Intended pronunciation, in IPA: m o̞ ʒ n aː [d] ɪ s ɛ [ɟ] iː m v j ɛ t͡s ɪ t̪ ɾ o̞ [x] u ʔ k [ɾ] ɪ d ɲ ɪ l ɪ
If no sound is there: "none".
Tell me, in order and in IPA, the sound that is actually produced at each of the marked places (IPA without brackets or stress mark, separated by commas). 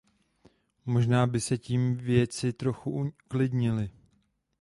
b, c, x, l